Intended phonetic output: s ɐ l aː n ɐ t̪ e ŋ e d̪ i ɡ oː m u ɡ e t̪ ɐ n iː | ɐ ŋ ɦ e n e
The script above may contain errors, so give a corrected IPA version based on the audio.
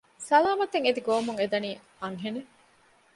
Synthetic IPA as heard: s ɐ l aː m ɐ t̪ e ŋ e d̪ i ɡ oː m u ŋ e d̪ ɐ n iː | ɐ ŋ ɦ e n e